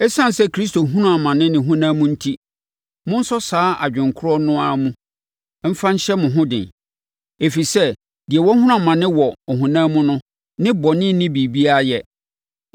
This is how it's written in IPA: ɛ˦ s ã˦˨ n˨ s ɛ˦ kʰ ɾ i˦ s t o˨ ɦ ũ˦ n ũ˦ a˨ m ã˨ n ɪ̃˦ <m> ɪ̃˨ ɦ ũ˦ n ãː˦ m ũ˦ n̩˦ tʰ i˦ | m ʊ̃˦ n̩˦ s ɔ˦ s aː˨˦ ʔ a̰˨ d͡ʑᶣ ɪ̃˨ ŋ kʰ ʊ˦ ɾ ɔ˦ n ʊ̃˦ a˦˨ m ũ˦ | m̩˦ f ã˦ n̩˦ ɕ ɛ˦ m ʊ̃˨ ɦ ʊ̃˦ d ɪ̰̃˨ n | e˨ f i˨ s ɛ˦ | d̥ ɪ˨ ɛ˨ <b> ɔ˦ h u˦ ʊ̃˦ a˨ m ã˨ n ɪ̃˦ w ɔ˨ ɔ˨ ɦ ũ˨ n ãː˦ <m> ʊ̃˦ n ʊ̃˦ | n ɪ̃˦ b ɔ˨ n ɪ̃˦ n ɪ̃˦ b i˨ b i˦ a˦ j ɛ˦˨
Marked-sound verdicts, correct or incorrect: incorrect: n, incorrect: w, correct

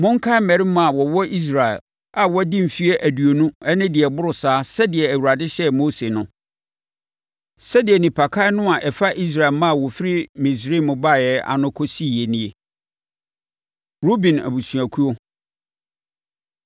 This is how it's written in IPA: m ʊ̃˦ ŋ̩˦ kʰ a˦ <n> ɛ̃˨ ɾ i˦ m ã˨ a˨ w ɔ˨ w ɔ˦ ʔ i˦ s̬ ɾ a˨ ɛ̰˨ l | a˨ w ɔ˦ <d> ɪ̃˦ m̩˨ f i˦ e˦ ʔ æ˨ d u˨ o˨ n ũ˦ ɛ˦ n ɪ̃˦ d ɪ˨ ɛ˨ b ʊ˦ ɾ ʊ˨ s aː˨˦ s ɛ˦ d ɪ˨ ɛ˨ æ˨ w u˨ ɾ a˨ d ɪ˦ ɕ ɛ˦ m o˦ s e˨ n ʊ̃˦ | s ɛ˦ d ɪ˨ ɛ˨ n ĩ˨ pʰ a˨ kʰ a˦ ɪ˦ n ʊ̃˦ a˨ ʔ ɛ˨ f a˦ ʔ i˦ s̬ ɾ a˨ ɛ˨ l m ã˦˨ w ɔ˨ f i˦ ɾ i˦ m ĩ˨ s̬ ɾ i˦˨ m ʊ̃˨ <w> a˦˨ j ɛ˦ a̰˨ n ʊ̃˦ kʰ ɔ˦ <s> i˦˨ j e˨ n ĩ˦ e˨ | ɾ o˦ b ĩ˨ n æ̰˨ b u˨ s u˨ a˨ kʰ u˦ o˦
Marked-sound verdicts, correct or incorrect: incorrect: m, correct, incorrect: b, correct

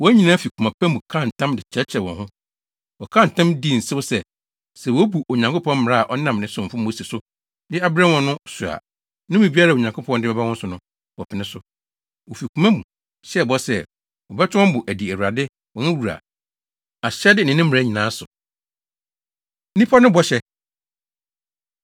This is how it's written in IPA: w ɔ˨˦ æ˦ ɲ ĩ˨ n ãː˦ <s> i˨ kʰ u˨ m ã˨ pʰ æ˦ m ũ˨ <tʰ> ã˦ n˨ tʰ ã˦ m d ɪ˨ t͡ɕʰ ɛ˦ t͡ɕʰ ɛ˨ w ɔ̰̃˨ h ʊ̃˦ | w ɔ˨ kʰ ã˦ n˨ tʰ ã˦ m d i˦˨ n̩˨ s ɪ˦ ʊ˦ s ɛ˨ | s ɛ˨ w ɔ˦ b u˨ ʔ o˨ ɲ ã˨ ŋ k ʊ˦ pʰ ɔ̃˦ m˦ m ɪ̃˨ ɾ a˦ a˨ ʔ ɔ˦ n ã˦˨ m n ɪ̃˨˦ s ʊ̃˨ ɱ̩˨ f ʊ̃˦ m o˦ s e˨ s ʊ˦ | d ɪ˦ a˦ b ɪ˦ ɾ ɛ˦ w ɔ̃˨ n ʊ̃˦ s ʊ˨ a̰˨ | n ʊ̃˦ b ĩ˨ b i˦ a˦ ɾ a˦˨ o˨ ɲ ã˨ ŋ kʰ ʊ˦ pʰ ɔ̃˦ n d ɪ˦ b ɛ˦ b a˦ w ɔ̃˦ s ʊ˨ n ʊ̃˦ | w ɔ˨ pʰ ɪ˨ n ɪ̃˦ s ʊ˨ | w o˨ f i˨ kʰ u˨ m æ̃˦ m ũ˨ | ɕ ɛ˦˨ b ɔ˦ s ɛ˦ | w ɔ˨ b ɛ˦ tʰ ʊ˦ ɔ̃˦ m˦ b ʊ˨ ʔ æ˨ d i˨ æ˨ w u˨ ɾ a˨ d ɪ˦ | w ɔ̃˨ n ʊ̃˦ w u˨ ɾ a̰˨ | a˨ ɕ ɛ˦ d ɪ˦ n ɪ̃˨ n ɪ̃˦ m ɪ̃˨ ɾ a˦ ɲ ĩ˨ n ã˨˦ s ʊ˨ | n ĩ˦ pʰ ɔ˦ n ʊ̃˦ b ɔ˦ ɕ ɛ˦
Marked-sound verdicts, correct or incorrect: incorrect: f, incorrect: kʰ

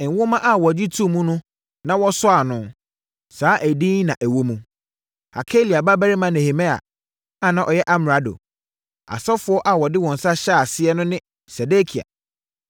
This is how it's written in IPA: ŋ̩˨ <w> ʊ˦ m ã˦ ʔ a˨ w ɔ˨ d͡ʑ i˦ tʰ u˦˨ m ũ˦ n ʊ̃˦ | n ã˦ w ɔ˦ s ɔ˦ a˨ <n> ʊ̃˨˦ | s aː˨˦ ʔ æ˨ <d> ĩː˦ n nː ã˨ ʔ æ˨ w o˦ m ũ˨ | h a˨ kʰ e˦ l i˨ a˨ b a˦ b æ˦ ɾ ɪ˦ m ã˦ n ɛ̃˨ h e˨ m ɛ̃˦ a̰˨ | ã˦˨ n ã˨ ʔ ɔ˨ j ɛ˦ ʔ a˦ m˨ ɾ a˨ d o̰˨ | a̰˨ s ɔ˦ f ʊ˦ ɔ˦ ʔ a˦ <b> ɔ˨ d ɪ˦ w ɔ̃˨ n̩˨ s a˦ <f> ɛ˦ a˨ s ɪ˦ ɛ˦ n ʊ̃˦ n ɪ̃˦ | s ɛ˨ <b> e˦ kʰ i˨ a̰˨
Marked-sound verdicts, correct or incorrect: correct, correct, correct, incorrect: w, incorrect: ɕ, incorrect: d

